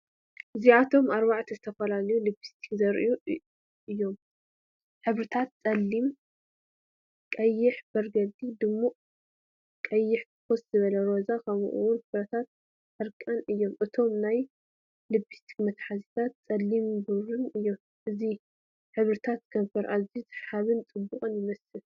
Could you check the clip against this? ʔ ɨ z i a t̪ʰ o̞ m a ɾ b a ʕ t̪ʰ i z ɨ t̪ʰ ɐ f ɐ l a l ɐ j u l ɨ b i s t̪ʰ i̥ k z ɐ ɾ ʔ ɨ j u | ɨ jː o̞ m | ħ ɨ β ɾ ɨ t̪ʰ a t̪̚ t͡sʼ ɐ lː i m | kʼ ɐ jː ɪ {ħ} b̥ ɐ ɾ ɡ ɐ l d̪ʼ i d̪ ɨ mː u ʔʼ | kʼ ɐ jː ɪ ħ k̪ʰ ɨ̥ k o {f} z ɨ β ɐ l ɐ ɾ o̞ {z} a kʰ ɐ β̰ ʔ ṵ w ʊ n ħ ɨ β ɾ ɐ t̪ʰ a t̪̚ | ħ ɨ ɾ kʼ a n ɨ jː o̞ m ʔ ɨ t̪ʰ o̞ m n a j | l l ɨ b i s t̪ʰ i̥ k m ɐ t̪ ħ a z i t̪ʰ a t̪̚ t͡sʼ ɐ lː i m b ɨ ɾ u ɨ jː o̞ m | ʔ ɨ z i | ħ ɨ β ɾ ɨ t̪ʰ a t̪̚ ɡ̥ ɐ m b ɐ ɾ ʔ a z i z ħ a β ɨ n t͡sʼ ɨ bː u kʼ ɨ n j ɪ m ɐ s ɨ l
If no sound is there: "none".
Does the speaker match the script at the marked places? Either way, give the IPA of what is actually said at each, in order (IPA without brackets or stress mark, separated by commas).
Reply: ħ, s, z